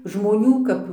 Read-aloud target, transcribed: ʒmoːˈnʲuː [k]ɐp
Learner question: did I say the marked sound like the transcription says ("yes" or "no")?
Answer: yes